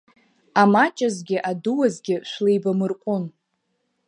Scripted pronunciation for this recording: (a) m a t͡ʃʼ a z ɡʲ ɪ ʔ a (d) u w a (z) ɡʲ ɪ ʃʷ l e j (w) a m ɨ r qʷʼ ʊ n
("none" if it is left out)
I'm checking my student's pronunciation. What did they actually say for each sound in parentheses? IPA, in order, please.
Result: a, d, z, b

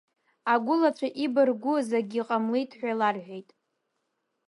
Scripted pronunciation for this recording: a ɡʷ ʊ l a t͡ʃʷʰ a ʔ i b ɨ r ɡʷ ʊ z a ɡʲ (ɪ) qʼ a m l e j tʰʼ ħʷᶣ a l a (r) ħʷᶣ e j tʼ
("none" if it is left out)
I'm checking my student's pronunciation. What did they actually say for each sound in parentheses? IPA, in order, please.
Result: i, r

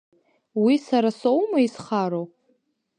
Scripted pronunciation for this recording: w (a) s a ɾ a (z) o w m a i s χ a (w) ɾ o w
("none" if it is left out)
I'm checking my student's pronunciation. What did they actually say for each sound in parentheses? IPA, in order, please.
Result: i, s, none

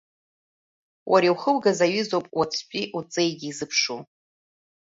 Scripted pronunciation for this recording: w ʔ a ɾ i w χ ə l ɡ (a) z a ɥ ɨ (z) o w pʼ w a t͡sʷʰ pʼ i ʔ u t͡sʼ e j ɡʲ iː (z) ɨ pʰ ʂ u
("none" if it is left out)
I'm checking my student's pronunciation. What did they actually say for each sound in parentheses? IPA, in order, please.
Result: a, z, z

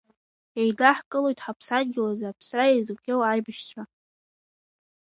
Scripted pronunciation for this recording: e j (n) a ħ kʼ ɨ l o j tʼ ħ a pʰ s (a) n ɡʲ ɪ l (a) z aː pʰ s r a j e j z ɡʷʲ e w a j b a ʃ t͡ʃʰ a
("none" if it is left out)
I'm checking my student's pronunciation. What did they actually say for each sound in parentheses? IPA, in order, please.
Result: d, a, a

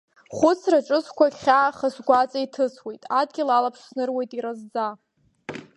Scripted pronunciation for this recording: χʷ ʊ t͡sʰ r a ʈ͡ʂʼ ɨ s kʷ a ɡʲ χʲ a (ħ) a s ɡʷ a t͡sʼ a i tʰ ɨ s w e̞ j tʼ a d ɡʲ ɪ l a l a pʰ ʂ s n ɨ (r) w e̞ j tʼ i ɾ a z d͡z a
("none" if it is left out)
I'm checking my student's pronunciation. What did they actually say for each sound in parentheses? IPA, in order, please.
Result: χ, r

